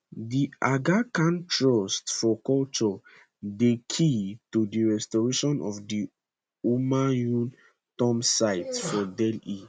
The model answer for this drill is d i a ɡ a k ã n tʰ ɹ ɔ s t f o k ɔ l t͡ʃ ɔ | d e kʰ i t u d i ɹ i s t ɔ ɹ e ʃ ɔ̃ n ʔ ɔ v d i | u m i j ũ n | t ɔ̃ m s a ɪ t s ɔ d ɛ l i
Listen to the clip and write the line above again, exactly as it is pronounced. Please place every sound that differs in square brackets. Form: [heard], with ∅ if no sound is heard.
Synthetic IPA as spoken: d i a ɡ a k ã n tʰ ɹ ɔ s t f [ɔ] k ɔ l t͡ʃ ɔ | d e kʰ i t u d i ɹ [ɛ] s t ɔ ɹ e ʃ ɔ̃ n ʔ ɔ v d i | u m [a] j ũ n | t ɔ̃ m s a ɪ t [f] ɔ d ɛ l i